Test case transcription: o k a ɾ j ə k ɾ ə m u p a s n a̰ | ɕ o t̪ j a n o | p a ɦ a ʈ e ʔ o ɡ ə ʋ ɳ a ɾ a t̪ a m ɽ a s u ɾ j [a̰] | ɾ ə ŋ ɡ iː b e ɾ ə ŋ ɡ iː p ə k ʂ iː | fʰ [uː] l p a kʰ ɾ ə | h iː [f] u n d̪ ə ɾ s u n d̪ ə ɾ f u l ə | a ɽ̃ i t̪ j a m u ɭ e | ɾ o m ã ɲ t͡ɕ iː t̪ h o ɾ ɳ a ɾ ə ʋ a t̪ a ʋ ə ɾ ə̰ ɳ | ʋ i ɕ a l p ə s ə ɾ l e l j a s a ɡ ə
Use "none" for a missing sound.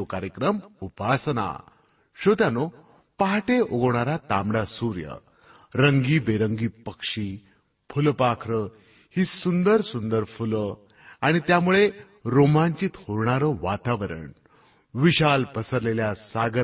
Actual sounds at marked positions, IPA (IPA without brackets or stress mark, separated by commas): ə̰, u, s